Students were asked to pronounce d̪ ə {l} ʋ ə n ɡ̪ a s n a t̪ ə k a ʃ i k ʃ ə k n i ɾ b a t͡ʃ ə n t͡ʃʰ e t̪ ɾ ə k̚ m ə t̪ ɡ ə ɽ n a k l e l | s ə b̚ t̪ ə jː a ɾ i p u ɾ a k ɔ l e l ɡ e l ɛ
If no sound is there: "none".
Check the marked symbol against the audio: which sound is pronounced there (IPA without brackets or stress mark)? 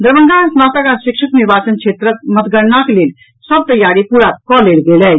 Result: ɾ